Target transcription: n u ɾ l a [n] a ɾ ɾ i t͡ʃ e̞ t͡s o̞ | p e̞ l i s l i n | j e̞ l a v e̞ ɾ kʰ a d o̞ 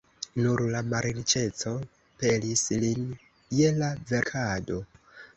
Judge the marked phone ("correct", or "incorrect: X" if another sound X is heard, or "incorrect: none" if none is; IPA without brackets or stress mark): incorrect: m